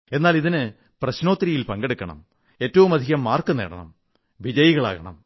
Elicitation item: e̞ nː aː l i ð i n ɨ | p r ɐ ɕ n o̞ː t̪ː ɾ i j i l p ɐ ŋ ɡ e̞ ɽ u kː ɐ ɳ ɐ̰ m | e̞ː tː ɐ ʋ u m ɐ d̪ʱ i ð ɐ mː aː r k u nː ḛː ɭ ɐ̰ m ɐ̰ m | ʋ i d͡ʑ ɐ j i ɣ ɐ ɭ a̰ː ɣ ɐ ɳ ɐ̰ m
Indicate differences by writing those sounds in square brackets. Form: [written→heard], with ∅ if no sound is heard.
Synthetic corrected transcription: e̞ nː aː l i ð i n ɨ | p r ɐ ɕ n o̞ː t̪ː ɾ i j i l p ɐ ŋ ɡ e̞ ɽ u kː ɐ ɳ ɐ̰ m | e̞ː tː ɐ ʋ u m ɐ d̪ʱ i [ð→ɣ] ɐ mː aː r k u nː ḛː [ɭ→ɽ] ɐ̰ [m→ɳ] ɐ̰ m | ʋ i d͡ʑ ɐ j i ɣ ɐ ɭ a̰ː ɣ ɐ ɳ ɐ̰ m